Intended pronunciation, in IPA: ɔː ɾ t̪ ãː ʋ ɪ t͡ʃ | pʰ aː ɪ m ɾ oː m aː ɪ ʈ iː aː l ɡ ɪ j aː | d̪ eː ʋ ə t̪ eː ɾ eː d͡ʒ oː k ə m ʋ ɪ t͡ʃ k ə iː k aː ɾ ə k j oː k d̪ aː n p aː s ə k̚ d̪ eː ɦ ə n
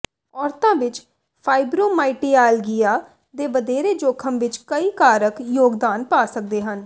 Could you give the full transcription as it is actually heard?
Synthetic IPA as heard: ɔː ɾ t̪ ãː ʋ ɪ t͡ʃ | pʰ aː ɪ b ɾ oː m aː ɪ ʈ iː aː l ɡ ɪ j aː | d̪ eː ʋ ə d̪ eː ɾ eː d͡ʒ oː kʰ ə m ʋ ɪ t͡ʃ k ə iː k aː ɾ ə k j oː ɡ d̪ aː n p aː s ə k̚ d̪ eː ɦ ə n